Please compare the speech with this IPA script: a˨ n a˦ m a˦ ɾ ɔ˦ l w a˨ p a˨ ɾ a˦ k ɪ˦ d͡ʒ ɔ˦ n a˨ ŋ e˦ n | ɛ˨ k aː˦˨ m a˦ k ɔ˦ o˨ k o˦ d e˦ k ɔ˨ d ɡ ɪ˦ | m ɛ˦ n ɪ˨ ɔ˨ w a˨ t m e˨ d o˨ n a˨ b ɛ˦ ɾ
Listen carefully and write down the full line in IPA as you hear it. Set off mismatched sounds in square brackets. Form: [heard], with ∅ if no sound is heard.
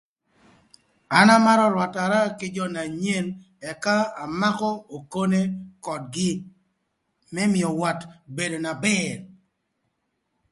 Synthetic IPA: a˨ n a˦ m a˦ ɾ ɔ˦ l w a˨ [t] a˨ ɾ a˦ k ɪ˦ d͡ʒ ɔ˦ n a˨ [ɲ] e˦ n | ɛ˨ k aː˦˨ m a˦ k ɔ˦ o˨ k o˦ [n] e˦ k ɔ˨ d ɡ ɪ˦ | m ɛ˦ [m] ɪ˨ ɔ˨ w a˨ t [b] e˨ d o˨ n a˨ b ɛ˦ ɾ